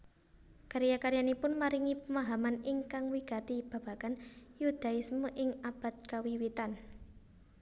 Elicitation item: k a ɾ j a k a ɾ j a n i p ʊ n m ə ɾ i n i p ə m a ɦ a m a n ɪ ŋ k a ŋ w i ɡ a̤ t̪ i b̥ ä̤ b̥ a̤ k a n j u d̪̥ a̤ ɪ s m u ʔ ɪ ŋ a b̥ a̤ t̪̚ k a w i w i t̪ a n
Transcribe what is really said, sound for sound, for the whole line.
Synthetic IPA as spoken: k a ɾ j a k a ɾ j a n i p ʊ n m a ɾ i ŋ i p ə m a ɦ a m a n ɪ ŋ k a ŋ w i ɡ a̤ t̪ i b̥ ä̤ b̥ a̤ k a n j u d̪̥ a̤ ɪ s m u ʔ ɪ ŋ a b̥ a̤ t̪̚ k a w i w i t̪ a n